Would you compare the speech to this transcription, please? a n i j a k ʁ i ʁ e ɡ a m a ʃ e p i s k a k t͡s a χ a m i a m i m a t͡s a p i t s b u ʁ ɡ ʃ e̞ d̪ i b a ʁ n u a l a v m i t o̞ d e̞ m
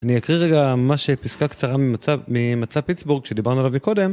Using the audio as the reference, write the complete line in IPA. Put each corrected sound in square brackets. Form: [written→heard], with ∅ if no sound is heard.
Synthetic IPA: a n i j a k ʁ i ʁ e ɡ a m a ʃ e p i s k a k t͡s a [χ→ʁ] a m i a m i m a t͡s a p i t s b u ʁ ɡ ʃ e̞ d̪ i b a ʁ n u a l a v m i [t→k] o̞ d e̞ m